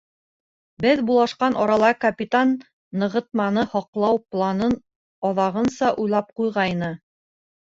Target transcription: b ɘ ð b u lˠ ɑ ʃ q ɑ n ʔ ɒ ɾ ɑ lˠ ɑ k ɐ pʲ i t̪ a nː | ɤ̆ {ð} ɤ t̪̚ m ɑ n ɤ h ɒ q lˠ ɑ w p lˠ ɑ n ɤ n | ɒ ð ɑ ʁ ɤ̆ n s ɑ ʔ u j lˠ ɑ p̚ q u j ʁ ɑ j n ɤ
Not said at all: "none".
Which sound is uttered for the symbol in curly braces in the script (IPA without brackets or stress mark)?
ʁ